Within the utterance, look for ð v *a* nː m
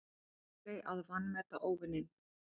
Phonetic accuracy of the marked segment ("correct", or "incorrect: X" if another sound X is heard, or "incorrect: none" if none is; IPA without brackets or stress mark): correct